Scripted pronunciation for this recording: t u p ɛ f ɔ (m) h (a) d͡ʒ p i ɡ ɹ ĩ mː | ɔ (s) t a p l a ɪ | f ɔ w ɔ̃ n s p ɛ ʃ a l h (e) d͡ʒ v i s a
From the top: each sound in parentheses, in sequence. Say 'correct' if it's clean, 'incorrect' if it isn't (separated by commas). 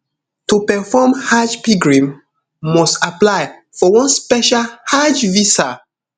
correct, correct, correct, incorrect